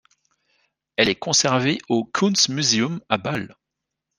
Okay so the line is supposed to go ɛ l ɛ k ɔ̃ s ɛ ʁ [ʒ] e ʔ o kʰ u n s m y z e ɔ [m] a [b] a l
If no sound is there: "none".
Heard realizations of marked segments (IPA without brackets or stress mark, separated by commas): v, m, b